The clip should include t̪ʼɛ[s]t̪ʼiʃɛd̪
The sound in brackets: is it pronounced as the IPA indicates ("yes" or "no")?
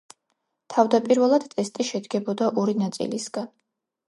yes